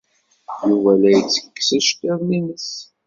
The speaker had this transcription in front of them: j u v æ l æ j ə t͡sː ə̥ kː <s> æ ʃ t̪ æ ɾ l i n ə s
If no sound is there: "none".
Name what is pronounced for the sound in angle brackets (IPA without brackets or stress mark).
s